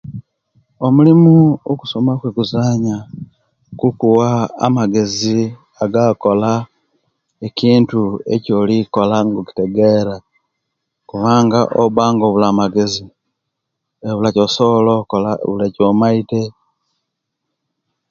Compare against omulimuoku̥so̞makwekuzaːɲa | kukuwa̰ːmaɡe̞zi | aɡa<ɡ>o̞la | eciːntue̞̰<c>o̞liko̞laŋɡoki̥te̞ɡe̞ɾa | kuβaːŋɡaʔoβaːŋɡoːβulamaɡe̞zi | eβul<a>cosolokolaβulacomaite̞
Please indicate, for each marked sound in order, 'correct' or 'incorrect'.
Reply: incorrect, correct, correct

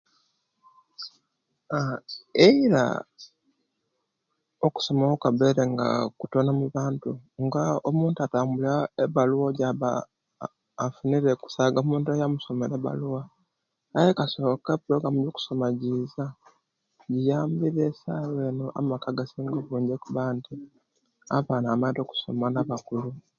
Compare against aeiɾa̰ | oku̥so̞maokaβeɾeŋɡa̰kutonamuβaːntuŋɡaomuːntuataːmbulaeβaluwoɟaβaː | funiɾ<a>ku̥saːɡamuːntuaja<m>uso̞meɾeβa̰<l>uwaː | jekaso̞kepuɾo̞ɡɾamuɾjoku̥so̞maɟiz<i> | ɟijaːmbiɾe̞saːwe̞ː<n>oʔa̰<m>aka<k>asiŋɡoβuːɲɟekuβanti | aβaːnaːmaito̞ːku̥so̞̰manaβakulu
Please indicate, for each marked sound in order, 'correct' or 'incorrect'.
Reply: incorrect, correct, correct, incorrect, correct, correct, incorrect

